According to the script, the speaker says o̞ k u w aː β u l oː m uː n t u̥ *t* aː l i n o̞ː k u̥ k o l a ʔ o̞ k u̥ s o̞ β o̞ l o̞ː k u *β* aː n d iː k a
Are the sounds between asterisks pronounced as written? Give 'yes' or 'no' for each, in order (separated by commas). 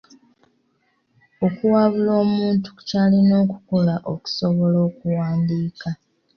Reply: no, no